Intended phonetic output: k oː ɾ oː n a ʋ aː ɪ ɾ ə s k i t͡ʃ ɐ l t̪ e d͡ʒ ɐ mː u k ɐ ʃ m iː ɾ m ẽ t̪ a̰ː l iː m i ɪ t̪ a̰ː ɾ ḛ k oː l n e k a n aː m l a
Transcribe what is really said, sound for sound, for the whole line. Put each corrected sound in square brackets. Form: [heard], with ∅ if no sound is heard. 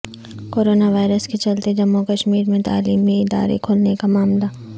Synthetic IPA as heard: k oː ɾ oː n a ʋ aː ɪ ɾ ə s k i t͡ʃ ɐ l t̪ e d͡ʒ ɐ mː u k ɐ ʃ m iː ɾ m ẽ t̪ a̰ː l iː m i ɪ [d̪] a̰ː ɾ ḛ [kʰ] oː l n e k a [m] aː m l a